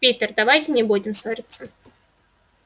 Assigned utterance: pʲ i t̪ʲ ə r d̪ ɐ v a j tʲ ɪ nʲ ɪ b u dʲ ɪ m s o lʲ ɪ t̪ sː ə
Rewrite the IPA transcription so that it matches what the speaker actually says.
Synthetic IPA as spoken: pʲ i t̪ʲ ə r d̪ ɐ v a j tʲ ɪ nʲ ɪ b u dʲ ɪ m s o ɾʲ ɪ t̪ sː ə

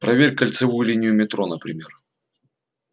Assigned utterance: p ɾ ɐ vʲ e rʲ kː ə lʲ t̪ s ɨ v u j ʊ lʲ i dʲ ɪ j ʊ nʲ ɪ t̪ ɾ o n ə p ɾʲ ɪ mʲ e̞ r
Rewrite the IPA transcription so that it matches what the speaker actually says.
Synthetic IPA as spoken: p ɾ ɐ vʲ e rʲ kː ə lʲ t̪ s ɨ v u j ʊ lʲ i nʲ ɪ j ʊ mʲ ɪ t̪ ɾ o n ə p ɾʲ ɪ mʲ e̞ r

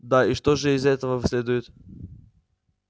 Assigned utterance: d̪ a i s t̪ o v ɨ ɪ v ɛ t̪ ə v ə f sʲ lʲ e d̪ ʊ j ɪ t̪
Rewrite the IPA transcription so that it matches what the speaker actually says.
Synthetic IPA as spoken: d̪ a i ʂ t̪ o ʐ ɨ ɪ z ɛ t̪ ə v ə v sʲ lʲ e d̪ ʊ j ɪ t̪

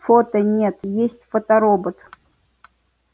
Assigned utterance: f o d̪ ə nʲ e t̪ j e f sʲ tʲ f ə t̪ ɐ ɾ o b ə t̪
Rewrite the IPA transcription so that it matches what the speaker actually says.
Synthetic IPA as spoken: f o t̪ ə nʲ e t̪ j e sʲ tʲ f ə t̪ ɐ ɾ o b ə t̪

